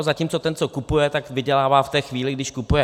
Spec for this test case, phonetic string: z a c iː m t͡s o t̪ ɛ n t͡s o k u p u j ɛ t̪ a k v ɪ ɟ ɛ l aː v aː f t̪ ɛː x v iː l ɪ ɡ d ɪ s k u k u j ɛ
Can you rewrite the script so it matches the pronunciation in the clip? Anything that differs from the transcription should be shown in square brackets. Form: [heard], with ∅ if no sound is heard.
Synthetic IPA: z a c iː m t͡s o t̪ ɛ n t͡s o k u p u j ɛ t̪ a k v ɪ ɟ ɛ l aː v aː f t̪ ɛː x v iː l ɪ ɡ d ɪ [ʃ] k u [p] u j ɛ